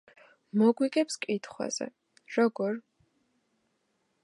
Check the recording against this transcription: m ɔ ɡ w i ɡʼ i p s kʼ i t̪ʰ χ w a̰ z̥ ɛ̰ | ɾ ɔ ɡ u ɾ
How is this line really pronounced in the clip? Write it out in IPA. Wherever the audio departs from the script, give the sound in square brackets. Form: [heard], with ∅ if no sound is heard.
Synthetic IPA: m ɔ ɡ w i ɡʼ [ɛ] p s kʼ i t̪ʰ χ w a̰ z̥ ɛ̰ | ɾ ɔ ɡ [ɔ] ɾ